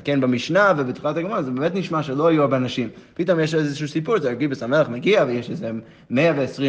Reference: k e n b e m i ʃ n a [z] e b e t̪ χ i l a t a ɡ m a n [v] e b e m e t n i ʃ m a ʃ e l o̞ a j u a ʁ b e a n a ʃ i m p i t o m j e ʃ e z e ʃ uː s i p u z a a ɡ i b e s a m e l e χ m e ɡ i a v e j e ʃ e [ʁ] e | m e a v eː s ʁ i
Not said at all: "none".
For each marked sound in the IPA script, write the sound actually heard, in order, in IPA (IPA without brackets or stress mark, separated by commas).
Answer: v, z, z